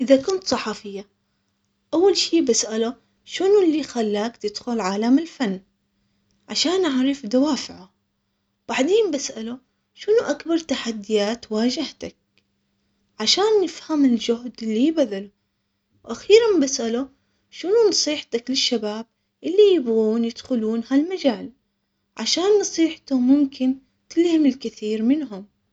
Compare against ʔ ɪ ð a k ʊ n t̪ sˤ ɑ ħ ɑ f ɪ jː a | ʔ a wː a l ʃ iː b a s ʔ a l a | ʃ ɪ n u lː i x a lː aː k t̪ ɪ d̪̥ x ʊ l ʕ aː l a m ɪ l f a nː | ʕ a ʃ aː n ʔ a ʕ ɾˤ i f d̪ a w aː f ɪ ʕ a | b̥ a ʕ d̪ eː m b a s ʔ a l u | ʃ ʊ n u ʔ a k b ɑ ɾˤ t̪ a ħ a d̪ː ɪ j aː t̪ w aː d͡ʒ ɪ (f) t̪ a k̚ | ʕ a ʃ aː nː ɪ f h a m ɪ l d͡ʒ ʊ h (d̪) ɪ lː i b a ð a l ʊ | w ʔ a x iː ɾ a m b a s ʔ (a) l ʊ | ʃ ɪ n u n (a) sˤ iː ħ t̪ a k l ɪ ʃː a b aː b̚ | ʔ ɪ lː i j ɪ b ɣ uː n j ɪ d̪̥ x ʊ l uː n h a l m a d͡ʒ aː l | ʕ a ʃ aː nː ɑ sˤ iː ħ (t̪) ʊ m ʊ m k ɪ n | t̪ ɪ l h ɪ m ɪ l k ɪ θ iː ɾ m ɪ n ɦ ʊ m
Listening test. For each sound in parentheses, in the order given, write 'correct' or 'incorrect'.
incorrect: h, correct, correct, incorrect: ɑ, correct

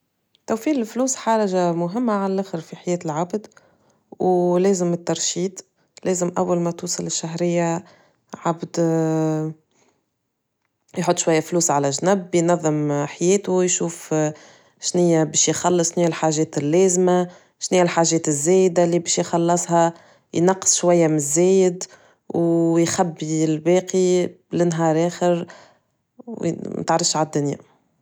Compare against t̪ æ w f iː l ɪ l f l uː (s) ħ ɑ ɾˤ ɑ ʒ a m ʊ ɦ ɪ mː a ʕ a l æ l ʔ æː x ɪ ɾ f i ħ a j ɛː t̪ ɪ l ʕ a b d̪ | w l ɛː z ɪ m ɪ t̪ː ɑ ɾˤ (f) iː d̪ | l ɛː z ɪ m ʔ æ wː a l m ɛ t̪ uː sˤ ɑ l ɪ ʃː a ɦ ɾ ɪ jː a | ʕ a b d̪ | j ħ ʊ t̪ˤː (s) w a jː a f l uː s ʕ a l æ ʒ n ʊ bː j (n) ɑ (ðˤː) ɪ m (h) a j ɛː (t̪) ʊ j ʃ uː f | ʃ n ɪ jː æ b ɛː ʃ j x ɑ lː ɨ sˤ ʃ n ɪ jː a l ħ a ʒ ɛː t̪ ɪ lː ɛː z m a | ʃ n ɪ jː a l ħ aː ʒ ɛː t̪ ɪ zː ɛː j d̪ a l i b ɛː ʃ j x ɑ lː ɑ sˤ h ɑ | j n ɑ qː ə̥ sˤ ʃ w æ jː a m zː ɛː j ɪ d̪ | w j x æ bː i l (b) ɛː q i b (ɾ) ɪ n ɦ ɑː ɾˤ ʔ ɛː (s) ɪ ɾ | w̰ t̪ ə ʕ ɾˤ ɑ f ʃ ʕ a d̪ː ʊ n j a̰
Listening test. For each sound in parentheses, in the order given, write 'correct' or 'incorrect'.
correct, incorrect: ʃ, incorrect: ʃ, correct, correct, incorrect: ħ, correct, correct, incorrect: l, incorrect: x

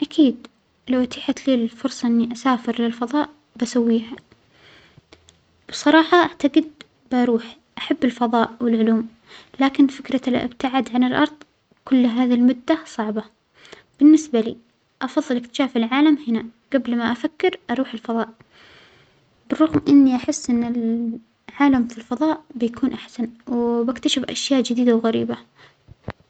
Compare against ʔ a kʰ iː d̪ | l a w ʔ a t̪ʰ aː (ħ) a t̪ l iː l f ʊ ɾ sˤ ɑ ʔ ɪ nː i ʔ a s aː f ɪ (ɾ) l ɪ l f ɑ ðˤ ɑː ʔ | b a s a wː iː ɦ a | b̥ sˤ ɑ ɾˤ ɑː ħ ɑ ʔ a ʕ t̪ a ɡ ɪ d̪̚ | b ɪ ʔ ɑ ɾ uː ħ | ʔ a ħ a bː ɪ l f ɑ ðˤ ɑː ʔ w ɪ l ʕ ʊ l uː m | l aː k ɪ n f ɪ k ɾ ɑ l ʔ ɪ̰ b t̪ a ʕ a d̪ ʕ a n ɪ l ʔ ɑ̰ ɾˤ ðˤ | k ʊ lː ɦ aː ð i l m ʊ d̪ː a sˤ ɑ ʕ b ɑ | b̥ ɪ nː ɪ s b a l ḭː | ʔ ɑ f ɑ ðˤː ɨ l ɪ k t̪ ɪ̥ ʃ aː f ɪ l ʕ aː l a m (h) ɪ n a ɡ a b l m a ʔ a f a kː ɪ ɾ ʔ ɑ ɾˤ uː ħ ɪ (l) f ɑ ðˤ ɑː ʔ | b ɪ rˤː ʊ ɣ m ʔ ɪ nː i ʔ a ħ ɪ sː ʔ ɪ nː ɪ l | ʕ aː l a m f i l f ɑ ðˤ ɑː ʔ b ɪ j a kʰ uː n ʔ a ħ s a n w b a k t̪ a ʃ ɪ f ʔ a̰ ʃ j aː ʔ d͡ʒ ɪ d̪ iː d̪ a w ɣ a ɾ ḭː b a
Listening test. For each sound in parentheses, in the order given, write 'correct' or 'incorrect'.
correct, correct, correct, correct

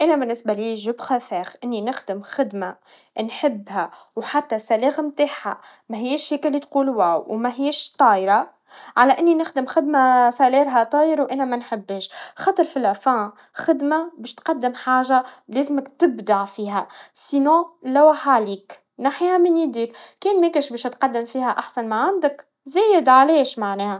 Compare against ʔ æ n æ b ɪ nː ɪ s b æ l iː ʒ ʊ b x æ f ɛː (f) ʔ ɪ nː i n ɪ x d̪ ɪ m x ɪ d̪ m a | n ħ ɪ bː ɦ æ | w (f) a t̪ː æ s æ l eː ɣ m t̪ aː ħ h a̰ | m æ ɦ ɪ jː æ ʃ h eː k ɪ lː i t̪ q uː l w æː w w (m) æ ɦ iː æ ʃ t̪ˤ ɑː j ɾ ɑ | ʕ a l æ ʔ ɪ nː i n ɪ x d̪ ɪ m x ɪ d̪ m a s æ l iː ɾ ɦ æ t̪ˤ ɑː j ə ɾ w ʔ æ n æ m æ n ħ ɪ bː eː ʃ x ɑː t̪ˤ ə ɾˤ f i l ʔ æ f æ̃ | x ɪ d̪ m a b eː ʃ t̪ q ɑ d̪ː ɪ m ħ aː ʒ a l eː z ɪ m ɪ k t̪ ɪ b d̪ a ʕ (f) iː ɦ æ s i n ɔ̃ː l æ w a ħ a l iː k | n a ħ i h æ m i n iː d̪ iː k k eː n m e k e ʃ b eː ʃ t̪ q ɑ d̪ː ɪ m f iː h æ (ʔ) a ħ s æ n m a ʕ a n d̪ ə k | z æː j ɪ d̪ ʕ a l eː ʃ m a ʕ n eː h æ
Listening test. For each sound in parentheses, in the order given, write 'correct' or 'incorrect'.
incorrect: x, incorrect: ħ, correct, correct, correct

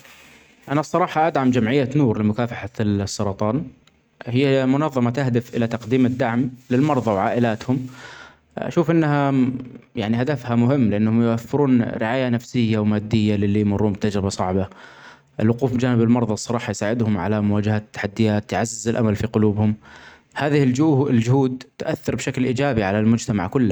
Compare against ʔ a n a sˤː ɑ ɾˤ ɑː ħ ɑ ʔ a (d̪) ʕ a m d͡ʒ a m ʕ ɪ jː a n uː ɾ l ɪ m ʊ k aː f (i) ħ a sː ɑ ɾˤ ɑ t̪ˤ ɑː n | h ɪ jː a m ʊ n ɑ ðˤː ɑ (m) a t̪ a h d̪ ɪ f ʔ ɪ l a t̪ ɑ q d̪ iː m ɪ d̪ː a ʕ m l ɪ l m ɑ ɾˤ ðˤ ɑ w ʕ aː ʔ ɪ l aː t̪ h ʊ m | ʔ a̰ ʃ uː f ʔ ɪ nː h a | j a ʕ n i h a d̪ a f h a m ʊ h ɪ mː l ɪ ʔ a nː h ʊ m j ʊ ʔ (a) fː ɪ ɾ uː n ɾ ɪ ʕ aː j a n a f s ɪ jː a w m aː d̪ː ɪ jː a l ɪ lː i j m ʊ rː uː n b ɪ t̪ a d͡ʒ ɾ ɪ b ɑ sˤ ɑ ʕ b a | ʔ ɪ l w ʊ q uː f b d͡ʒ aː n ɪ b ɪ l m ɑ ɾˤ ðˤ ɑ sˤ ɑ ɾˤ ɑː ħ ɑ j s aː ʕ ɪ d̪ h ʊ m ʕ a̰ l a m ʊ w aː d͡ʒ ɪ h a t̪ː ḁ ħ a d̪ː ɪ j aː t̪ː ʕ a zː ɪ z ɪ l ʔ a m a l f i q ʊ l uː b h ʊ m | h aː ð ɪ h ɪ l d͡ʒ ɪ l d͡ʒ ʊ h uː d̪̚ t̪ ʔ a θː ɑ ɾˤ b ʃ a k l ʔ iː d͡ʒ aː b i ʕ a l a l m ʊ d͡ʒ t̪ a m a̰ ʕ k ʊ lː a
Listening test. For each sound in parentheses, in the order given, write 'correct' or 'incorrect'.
correct, incorrect: a, correct, correct

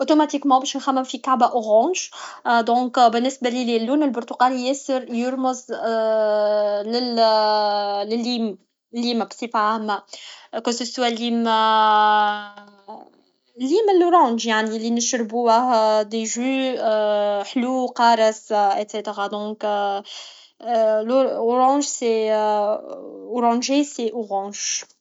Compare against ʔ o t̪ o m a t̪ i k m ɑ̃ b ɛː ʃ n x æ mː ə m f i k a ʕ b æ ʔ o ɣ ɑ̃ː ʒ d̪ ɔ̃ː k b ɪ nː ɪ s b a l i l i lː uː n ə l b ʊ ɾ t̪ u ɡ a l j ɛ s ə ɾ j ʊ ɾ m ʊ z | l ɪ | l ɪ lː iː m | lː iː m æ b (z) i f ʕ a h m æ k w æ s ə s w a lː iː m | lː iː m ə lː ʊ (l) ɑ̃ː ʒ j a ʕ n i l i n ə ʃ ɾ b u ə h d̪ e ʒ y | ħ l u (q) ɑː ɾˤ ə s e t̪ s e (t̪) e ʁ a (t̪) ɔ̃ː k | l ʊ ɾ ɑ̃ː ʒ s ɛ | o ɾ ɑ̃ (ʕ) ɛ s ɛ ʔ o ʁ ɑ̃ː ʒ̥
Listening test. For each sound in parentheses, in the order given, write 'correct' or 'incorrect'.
incorrect: s, incorrect: ɾ, correct, correct, incorrect: d̪, incorrect: ʒ

